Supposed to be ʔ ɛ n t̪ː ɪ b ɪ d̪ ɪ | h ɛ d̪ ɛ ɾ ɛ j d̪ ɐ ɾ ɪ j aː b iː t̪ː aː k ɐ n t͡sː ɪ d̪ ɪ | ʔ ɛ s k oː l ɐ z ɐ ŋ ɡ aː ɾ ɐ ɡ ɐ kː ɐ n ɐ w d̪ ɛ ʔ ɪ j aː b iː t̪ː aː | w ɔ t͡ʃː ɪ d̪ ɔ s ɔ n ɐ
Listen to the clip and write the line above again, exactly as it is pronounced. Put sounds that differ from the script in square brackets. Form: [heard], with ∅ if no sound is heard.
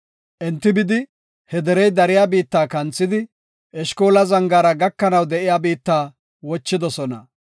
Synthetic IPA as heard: ʔ ɛ n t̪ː ɪ b ɪ d̪ ɪ | h ɛ d̪ ɛ ɾ ɛ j d̪ ɐ ɾ ɪ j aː b iː t̪ː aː k ɐ n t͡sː ɪ d̪ ɪ | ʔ ɛ [ʃ] k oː l ɐ z ɐ ŋ ɡ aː ɾ ɐ ɡ ɐ kː ɐ n ɐ w d̪ ɛ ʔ ɪ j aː b iː t̪ː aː | w ɔ t͡ʃː ɪ d̪ ɔ s ɔ n ɐ